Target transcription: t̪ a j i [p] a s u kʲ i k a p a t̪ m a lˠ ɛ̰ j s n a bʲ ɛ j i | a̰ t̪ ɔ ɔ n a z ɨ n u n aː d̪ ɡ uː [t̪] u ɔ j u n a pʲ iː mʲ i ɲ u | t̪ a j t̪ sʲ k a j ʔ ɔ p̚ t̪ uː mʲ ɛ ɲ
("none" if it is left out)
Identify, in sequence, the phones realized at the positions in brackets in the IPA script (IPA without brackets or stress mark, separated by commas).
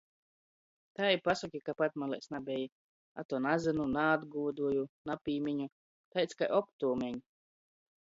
p, d̪